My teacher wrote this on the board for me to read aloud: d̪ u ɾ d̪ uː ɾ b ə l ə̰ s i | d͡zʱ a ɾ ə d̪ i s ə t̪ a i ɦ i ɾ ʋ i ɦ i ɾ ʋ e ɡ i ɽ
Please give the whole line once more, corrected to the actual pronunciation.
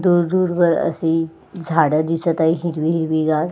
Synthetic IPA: d̪ u ɾ d̪ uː ɾ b ə ɾ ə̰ s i | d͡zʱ a ɽ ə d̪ i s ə t̪ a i ɦ i ɾ ʋ i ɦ i ɾ ʋ i ɡ a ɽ